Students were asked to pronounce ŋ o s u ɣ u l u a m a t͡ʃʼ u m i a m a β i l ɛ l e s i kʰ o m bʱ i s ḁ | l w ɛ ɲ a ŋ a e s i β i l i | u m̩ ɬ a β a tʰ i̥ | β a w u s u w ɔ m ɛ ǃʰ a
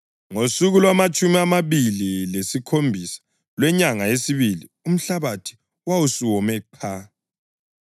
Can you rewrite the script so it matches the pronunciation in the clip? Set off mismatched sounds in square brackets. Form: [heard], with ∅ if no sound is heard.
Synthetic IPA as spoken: ŋ o s u ɣ u l [w] a m a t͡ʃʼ u m i a m a β i l [i] l e s i kʰ o m bʱ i s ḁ | l w ɛ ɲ a ŋ a e s i β i l i | u m̩ ɬ a β a tʰ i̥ | [w] a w u s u w ɔ m ɛ ǃʰ a

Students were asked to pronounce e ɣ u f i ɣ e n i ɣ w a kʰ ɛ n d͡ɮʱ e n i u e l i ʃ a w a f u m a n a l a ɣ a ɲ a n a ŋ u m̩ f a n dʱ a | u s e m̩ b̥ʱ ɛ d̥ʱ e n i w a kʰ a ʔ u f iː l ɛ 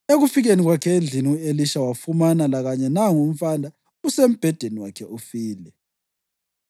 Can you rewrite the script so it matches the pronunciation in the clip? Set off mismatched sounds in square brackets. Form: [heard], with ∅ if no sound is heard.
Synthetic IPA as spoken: e ɣ u f i ɣ e n i ɣ w a kʰ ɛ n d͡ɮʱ [i] n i u e l i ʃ a w a f u m a n a l a ɣ a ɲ [ɛ] n a ŋ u m̩ f a n dʱ a | u s e m̩ b̥ʱ ɛ d̥ʱ e n i w a kʰ [ɛ] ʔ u f iː l ɛ

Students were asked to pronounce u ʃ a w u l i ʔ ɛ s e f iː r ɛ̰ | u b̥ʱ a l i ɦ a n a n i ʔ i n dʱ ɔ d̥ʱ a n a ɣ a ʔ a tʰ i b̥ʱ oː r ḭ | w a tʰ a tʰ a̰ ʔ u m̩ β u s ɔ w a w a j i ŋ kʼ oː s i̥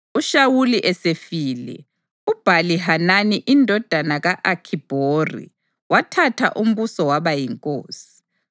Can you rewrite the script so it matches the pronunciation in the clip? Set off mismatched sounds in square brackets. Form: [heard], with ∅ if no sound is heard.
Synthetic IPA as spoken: u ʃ a w u l i ʔ ɛ s e f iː [l] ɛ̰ | u b̥ʱ a l i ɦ a n a n i ʔ i n dʱ ɔ d̥ʱ a n a ɣ a ʔ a [kʰ] i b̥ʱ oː r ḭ | w a tʰ a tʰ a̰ ʔ u m̩ β u s ɔ w a [β] a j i ŋ kʼ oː s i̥

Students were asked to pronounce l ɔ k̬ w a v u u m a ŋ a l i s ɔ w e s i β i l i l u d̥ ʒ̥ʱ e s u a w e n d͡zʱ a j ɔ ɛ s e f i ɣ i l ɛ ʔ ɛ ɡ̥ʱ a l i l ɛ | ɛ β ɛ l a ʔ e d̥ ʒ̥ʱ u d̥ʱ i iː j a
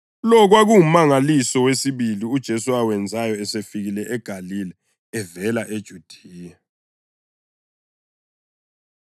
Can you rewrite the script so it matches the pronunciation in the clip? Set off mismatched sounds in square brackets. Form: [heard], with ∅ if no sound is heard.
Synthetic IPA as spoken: l ɔ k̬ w a [ɣ] u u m a ŋ a l i s ɔ w e s i β i l i [∅] u d̥ ʒ̥ʱ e s u a w [ɛ] n d͡zʱ a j ɔ ɛ s e f i ɣ i l ɛ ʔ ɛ ɡ̥ʱ a l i l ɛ | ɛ [v] ɛ l a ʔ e d̥ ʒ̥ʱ u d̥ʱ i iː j a

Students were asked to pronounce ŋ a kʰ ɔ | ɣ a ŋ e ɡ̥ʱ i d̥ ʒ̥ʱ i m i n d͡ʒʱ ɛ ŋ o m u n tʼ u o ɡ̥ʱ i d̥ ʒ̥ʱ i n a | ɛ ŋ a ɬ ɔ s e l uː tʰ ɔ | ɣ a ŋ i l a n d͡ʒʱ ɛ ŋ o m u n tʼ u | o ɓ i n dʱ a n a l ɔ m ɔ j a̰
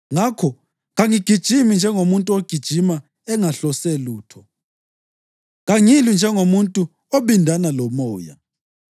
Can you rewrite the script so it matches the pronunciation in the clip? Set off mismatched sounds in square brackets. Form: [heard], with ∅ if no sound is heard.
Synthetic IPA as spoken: ŋ a kʰ ɔ | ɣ a ŋ [i] ɡ̥ʱ i d̥ ʒ̥ʱ i m i n d͡ʒʱ ɛ ŋ o m u n tʼ u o ɡ̥ʱ i d̥ ʒ̥ʱ i [m] a | ɛ ŋ a ɬ ɔ s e l uː tʰ ɔ | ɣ a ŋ i l [i] n d͡ʒʱ ɛ ŋ o m u n tʼ u | o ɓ i n dʱ a n a l ɔ m [ɔː] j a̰

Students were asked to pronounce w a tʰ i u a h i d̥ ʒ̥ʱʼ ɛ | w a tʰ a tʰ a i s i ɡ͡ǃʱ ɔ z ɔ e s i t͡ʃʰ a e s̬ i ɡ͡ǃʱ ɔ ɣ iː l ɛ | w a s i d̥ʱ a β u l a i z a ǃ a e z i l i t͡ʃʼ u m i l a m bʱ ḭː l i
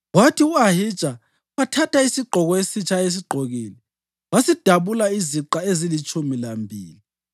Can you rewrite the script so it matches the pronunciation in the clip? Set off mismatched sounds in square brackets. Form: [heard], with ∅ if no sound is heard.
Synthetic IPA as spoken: w a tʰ i u a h i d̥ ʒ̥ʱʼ [a] | w a tʰ a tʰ a i s i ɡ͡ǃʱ ɔ [ɣ] ɔ e s i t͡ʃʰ a e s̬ i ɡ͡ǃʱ [o] ɣ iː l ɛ | w a s i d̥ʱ a β u l a i z [i] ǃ a e z i l i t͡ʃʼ u m i l a m bʱ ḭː l i

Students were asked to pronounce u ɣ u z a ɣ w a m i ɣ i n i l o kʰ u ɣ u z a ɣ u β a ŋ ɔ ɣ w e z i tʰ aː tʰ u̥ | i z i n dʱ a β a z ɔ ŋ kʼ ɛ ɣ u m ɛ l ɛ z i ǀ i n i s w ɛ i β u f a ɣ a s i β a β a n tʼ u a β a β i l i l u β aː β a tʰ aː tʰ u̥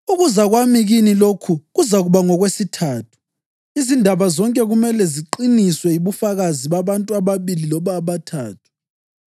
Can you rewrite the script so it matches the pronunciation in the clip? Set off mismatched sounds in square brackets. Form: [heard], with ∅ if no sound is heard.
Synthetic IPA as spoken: u ɣ u z a ɣ w a m i ɣ i n i l o kʰ u ɣ u z a ɣ u β a ŋ ɔ ɣ w e [s] i tʰ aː tʰ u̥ | i z i n dʱ a β a z ɔ ŋ kʼ ɛ ɣ u m ɛ l ɛ z i [ǃ] i n i s w ɛ i β u f a ɣ a [z] i β a β a n tʼ u a β a β i l i l [ɔ] β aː β a tʰ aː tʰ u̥

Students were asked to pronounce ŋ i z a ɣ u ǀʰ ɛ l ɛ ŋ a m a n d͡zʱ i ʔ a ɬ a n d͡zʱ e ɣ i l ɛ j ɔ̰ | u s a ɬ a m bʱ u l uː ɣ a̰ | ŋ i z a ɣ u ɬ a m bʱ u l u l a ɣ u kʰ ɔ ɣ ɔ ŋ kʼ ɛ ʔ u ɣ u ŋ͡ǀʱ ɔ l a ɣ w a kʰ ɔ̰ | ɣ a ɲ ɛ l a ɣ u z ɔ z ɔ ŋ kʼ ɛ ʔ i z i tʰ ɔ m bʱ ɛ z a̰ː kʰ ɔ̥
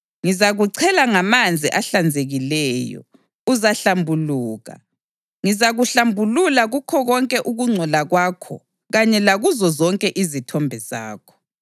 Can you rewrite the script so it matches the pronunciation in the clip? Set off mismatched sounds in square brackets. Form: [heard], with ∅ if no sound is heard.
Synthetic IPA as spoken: ŋ i z a ɣ u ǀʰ ɛ l [a] ŋ a m a n d͡zʱ i ʔ a ɬ a n d͡zʱ e ɣ i l ɛ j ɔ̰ | u [z] a ɬ a m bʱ u l uː ɣ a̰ | ŋ i z a ɣ u ɬ a m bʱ u l u l a ɣ u kʰ ɔ ɣ ɔ ŋ kʼ ɛ ʔ u ɣ u ŋ͡ǀʱ ɔ l a ɣ w a kʰ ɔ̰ | ɣ a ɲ ɛ l a ɣ u z ɔ z ɔ ŋ kʼ ɛ ʔ i z i tʰ ɔ m bʱ ɛ z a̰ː kʰ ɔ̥

